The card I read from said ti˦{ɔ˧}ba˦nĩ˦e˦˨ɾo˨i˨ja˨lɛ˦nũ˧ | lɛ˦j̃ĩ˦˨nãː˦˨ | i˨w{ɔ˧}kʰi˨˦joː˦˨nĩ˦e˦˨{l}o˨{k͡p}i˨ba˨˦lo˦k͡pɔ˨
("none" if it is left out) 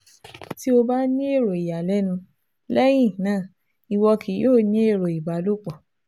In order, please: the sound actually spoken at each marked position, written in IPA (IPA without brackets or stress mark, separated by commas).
o˧, ɔ˧, ɾ, none